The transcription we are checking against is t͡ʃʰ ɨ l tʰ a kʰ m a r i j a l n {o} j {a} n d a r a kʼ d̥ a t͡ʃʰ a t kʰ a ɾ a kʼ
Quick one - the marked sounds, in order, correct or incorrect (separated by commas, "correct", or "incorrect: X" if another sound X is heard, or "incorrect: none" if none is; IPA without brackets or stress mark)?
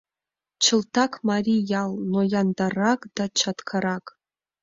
correct, correct